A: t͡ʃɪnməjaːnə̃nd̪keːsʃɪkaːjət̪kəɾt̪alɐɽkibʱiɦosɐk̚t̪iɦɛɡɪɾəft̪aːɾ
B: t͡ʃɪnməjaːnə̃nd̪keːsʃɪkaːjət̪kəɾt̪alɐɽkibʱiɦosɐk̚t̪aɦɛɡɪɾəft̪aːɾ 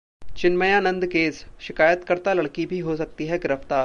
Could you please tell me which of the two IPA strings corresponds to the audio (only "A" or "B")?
A